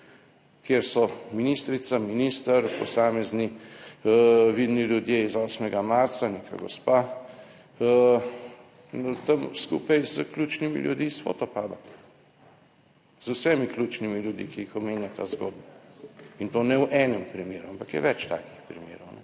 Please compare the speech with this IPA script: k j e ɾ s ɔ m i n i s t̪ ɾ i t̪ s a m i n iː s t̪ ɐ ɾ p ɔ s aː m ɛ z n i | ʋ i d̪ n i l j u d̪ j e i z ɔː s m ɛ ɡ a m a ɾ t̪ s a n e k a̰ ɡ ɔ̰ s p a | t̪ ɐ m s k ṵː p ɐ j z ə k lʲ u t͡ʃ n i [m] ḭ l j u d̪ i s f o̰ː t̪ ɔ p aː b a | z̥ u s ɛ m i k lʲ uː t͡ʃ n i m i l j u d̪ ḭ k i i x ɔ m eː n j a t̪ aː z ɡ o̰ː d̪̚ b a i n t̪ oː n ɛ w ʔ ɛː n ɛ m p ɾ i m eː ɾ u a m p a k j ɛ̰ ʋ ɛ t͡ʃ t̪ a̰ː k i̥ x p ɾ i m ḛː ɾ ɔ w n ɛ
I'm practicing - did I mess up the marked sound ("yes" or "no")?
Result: no